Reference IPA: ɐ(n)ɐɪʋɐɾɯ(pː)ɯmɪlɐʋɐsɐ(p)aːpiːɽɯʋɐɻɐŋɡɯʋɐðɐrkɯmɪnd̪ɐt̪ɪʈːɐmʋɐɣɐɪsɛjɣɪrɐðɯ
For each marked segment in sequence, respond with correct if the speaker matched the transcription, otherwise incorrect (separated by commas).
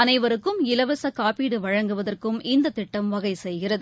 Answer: correct, incorrect, incorrect